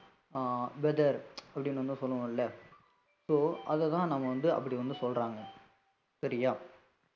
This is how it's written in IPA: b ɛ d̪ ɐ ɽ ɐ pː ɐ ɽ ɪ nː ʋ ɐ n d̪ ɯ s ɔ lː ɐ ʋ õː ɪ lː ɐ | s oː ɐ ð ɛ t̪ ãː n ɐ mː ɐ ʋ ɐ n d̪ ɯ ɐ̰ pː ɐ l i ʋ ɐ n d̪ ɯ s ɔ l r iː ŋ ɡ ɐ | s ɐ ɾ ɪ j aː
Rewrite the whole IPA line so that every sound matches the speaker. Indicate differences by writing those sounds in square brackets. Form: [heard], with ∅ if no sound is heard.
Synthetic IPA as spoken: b ɛ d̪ ɐ [ɾ] ɐ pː ɐ ɽ ɪ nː ʋ ɐ n d̪ ɯ s ɔ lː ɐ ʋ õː ɪ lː ɐ | s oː ɐ ð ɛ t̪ ãː n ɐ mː ɐ ʋ ɐ n d̪ ɯ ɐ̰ pː ɐ [ɽ] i ʋ ɐ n d̪ ɯ s ɔ l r [aː] ŋ ɡ ɐ | s ɐ ɾ ɪ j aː

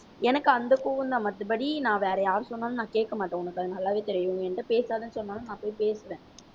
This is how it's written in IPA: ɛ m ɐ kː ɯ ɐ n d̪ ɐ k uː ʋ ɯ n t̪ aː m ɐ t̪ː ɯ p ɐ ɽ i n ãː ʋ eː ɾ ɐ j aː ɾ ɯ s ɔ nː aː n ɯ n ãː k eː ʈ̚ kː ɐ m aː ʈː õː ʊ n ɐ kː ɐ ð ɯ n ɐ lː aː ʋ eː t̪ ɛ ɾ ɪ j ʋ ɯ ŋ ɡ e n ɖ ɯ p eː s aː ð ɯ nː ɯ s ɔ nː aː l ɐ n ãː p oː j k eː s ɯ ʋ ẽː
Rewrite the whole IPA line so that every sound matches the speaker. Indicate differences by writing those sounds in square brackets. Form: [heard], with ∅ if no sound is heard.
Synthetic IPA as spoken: ɛ [n] ɐ kː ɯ ɐ n d̪ ɐ k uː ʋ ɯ n [d̪] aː m ɐ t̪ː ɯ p ɐ ɽ i n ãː ʋ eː ɾ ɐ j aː ɾ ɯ s ɔ nː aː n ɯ n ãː k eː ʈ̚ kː ɐ m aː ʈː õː ʊ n ɐ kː ɐ ð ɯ n ɐ lː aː ʋ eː t̪ ɛ ɾ ɪ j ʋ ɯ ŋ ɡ [ɛ] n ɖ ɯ p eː s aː ð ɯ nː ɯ s ɔ nː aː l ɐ n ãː p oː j [p] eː s ɯ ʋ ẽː

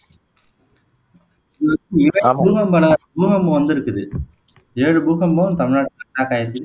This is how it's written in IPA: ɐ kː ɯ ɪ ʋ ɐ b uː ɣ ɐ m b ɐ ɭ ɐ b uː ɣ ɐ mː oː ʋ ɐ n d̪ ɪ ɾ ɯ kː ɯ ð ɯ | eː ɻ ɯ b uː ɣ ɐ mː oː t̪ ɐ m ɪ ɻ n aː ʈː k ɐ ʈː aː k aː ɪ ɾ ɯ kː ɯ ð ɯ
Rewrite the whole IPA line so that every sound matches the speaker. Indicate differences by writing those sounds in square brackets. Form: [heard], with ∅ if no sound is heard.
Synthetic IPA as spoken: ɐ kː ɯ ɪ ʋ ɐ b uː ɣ ɐ m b ɐ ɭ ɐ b uː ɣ ɐ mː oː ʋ ɐ n d̪ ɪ ɾ ɯ kː ɯ ð ɯ | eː ɻ ɯ b uː ɣ ɐ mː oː t̪ ɐ m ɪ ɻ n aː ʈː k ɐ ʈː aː k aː ɪ ɾ ɯ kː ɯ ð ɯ

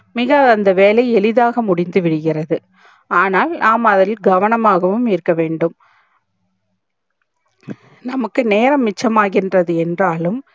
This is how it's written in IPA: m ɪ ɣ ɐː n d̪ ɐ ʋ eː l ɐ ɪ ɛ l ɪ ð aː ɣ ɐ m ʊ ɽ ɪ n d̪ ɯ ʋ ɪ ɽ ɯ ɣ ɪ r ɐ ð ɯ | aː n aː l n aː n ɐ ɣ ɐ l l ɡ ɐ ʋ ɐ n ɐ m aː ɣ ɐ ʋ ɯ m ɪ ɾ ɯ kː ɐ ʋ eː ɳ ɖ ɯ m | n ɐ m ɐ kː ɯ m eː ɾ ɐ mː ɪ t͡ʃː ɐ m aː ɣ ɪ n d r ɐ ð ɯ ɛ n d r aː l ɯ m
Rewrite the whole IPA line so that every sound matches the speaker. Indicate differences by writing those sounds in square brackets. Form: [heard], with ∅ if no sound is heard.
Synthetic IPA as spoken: m ɪ ɣ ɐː n d̪ ɐ ʋ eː l ɐ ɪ ɛ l ɪ ð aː ɣ ɐ m ʊ ɽ ɪ n d̪ ɯ ʋ ɪ ɽ ɯ ɣ ɪ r ɐ ð ɯ | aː n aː l n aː [m] ɐ [ð] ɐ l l ɡ ɐ ʋ ɐ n ɐ m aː ɣ ɐ ʋ ɯ m ɪ ɾ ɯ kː ɐ ʋ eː ɳ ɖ ɯ m | n ɐ m ɐ kː ɯ [n] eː ɾ ɐ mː ɪ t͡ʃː ɐ m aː ɣ ɪ n d r ɐ ð ɯ ɛ n d r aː l ɯ m

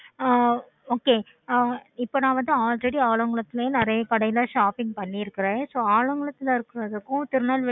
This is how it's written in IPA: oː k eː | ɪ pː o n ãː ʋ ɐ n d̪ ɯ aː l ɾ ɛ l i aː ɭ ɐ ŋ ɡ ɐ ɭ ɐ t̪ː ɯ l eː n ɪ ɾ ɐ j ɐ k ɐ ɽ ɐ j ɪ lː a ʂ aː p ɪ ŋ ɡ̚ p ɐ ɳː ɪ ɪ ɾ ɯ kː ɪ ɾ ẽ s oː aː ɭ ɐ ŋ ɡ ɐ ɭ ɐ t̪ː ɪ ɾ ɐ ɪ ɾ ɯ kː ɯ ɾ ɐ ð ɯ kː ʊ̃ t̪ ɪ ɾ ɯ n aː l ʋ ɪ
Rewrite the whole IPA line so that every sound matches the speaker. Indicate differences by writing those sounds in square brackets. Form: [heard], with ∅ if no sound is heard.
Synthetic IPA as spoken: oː k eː | ɪ pː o n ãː ʋ ɐ n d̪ ɯ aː l ɾ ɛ [ɽ] i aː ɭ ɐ ŋ ɡ ɐ ɭ ɐ t̪ː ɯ l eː n ɪ ɾ ɐ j ɐ k ɐ ɽ ɐ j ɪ [l] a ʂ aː p ɪ ŋ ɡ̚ p ɐ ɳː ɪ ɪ ɾ ɯ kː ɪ ɾ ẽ s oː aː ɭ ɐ ŋ ɡ ɐ ɭ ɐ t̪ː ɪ [l] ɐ ɪ ɾ ɯ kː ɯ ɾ ɐ ð ɯ kː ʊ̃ t̪ ɪ ɾ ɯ n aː l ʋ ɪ

